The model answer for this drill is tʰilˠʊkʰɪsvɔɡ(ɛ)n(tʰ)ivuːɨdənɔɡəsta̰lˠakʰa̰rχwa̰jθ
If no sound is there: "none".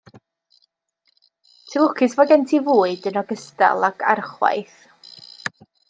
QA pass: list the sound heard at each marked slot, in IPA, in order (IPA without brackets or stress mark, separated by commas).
ɛ, tʰ